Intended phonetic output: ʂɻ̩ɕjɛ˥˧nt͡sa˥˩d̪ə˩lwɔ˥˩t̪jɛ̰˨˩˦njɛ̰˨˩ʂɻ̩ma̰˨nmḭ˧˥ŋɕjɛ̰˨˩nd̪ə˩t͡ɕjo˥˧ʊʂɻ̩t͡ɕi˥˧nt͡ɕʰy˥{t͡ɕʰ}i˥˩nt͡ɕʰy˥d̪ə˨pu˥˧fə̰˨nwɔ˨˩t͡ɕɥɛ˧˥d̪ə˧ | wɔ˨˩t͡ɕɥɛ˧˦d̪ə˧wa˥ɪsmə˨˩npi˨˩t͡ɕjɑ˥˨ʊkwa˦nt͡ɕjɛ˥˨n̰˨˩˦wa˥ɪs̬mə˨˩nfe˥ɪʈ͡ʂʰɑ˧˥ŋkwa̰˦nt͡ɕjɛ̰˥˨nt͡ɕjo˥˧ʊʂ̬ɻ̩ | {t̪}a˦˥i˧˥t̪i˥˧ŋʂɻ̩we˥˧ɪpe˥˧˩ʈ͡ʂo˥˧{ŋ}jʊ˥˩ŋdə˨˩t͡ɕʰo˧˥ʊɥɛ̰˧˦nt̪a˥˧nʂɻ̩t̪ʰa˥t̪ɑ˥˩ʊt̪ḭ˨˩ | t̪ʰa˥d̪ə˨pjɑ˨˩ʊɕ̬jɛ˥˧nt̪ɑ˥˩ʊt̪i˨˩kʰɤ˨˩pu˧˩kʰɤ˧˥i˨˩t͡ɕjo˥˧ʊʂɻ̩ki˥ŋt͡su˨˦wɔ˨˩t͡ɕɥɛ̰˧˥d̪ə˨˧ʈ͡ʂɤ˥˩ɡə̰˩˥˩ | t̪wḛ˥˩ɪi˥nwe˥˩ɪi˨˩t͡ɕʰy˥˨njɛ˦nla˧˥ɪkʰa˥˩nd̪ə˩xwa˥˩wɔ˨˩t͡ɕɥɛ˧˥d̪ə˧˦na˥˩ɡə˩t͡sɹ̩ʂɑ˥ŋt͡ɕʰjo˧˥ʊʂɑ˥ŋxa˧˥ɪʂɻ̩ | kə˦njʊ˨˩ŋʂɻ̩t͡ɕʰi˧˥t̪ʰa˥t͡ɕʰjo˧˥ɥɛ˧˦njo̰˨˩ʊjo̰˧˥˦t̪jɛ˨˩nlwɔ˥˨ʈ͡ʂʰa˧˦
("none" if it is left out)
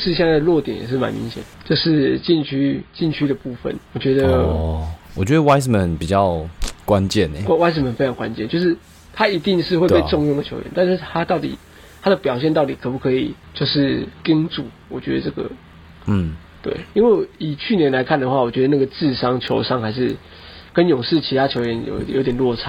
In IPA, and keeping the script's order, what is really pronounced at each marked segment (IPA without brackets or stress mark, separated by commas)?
t͡ɕ, t̪ʰ, ŋ